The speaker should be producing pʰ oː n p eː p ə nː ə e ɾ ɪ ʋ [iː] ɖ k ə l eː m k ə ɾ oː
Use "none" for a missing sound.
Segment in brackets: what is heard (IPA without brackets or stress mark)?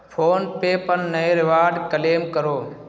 aː